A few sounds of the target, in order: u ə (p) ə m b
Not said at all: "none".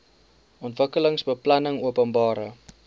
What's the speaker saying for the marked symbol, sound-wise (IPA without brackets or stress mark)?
p